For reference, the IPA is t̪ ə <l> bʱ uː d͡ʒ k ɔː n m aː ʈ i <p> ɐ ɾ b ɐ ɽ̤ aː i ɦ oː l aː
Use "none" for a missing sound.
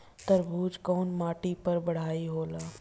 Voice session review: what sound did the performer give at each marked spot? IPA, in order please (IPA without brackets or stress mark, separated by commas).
ɾ, p